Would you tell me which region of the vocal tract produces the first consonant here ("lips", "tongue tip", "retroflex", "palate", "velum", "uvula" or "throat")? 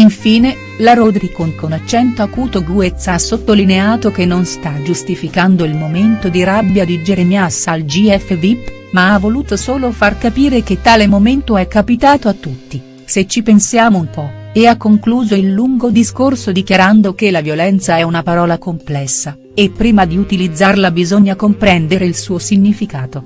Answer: lips